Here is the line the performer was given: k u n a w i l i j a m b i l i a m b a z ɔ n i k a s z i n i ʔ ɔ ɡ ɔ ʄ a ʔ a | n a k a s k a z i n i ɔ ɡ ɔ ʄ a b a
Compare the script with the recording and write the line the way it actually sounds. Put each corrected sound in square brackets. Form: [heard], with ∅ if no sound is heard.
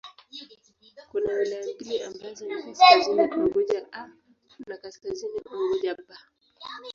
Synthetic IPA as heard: k u n a w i l [a] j a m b i l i a m b a z ɔ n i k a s z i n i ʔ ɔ ɡ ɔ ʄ a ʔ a | n a k a s k a z i n i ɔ ɡ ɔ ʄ a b a